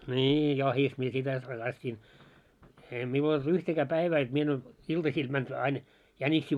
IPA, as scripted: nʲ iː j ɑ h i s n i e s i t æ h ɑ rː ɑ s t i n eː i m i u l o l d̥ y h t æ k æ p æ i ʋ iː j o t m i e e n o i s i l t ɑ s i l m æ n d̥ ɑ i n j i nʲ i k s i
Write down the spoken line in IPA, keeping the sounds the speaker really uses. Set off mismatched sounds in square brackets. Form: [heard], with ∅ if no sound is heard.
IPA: nʲ iː j ɑ h i s [m] i e s i t æ h ɑ rː ɑ s t i n eː i m i u l o l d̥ y h t æ k [æː] p æ i ʋ [æː] j o t m i e e n o i s i l t ɑ s [iː] l m æ n d̥ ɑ i n j [æ] nʲ i k s [iː]